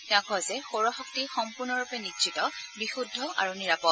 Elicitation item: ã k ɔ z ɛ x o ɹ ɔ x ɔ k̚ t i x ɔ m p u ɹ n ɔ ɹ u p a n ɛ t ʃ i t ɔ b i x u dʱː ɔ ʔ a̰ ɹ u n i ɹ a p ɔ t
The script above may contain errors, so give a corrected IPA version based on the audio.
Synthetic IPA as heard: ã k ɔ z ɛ x o ɹ ɔ x ɔ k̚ t i x ɔ m p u ɹ n ɔ ɹ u p ɛ n i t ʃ i t ɔ b i x u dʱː ɔ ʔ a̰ ɹ u n i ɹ a p ɔ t